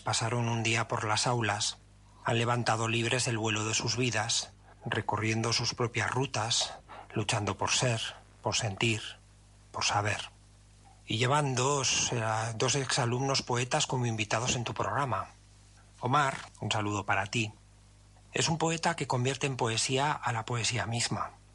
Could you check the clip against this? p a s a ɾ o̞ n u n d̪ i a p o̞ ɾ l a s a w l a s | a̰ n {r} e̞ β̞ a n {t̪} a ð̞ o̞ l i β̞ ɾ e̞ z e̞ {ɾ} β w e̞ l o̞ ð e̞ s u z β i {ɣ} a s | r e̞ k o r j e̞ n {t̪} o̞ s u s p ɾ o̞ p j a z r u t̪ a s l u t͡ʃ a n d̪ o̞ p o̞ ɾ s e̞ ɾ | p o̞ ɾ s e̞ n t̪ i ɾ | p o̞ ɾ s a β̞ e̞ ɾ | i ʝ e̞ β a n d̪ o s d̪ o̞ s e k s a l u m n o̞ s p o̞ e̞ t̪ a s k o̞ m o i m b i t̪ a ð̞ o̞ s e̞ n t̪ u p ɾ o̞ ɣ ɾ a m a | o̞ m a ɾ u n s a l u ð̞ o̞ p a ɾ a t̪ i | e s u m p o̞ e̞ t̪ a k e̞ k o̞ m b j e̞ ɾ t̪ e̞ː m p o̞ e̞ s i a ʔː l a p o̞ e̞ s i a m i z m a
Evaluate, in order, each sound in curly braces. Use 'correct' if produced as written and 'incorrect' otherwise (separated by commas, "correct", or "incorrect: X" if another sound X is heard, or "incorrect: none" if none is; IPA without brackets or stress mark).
incorrect: l, correct, incorrect: l, incorrect: ð, incorrect: d̪